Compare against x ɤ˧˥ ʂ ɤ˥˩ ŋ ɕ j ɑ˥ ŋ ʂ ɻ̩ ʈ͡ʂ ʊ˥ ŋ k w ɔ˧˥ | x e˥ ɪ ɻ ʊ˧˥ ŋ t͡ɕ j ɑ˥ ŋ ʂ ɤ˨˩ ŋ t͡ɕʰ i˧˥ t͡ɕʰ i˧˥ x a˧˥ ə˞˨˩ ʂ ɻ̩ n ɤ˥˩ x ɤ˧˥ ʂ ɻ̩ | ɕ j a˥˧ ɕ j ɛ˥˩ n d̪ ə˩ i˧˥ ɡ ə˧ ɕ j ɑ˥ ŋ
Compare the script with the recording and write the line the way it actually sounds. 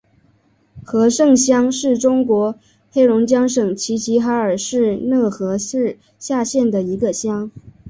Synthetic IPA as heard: x ɤ˧˥ ʂ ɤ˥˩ ŋ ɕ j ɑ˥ ŋ ʂ ɻ̩ ʈ͡ʂ ʊ˥ ŋ k w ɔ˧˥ | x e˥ ɪ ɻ ʊ˧˥ ŋ t͡ɕ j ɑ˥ ŋ ʂ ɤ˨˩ ŋ t͡ɕʰ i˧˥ t͡ɕʰ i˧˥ x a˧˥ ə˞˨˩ ʂ ɻ̩ n ɤ˥˩ x ɤ˧˥ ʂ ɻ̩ | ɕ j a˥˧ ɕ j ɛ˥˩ n d̪ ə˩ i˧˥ ɡ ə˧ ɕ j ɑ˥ ŋ